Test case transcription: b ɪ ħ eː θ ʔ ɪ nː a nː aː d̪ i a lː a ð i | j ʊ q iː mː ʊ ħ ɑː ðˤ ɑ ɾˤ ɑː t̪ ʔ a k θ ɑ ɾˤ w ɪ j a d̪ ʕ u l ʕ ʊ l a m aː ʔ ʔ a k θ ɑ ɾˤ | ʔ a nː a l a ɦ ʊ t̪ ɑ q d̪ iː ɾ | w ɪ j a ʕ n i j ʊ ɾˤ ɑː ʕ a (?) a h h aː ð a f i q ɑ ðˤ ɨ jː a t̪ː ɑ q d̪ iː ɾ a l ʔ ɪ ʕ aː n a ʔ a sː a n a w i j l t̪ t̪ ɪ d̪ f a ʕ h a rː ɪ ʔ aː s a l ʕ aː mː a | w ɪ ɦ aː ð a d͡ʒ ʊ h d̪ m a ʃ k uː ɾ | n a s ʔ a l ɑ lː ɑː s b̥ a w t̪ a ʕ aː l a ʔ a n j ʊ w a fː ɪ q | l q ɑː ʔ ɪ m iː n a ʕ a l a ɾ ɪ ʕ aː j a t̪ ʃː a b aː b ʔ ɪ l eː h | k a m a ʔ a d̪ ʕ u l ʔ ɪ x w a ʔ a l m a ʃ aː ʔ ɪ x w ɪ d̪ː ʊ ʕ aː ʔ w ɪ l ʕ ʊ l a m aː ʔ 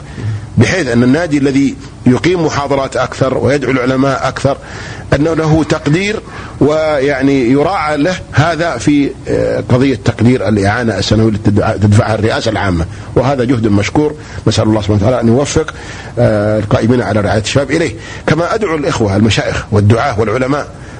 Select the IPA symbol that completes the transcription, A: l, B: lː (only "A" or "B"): A